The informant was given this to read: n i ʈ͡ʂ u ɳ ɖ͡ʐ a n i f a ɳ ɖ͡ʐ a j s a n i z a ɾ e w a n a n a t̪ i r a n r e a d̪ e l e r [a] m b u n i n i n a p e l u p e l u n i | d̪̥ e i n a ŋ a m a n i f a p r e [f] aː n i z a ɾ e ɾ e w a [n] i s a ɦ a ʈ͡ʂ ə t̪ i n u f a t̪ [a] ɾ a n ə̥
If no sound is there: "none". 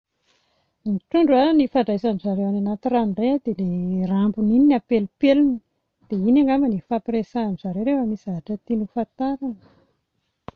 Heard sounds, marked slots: a, s, m, a

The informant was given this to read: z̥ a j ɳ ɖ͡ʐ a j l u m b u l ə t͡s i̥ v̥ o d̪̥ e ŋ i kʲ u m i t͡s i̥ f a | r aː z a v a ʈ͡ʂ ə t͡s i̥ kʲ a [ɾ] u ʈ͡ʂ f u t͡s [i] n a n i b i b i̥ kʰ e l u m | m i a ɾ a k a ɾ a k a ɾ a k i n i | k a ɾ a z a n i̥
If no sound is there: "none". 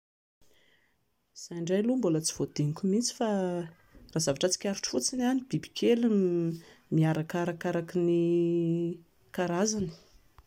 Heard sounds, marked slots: ɾ, i

